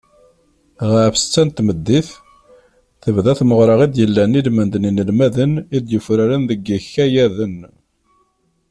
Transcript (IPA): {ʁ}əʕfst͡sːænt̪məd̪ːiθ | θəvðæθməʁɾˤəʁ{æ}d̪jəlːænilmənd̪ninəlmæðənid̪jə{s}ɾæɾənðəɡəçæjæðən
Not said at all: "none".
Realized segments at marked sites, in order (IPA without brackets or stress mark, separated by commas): ʁ, i, f